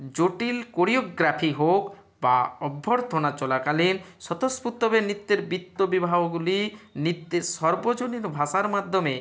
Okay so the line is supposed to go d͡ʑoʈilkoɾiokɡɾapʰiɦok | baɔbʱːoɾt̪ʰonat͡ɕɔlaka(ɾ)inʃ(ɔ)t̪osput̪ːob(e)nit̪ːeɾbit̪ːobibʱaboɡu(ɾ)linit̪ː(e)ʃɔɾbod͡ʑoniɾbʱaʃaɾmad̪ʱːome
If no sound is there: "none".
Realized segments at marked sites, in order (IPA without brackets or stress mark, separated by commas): l, ɔ, e, none, e